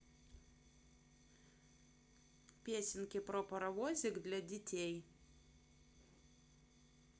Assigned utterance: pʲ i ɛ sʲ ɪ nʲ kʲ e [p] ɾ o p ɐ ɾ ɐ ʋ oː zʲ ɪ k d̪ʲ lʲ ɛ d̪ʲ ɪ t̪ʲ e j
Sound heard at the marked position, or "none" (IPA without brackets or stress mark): p